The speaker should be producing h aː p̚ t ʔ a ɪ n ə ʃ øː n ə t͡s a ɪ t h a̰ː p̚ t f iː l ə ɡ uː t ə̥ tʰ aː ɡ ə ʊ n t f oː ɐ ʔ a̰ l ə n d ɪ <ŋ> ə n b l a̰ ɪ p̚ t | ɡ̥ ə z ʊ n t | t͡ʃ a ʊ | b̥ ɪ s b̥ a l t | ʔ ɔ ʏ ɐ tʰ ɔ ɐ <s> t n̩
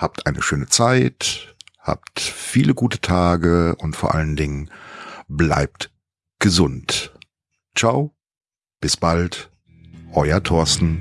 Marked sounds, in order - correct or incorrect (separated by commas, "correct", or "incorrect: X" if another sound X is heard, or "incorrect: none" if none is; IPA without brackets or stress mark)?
correct, correct